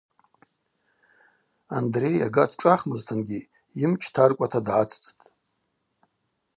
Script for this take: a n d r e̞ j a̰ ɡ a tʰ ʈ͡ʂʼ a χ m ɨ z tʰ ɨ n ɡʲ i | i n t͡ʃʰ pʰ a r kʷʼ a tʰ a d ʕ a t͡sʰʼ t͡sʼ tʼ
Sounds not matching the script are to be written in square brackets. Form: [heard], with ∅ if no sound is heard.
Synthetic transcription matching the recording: a n d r e̞ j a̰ ɡ a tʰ ʈ͡ʂʼ a χ m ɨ z tʰ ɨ n ɡʲ i | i [m] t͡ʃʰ [tʰ] a r kʷʼ a tʰ a d ʕ a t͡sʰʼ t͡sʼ tʼ